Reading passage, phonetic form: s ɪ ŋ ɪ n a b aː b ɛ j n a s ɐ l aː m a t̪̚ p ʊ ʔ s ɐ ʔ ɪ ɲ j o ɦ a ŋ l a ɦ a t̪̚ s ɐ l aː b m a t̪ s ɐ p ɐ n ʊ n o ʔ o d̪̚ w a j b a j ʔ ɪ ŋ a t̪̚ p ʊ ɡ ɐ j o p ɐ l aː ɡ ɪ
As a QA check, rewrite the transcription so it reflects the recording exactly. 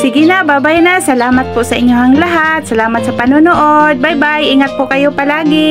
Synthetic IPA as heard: s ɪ ɡ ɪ n a b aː b a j n a s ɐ l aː m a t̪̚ p ʊ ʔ s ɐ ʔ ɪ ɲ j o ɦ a ŋ l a ɦ a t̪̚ s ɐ l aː m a t̪ s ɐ p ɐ n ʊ n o ʔ o d̪̚ b a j b a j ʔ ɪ ŋ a t̪̚ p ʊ k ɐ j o p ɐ l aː ɡ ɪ